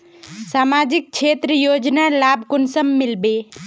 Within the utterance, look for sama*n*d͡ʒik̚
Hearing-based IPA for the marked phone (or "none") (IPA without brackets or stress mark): none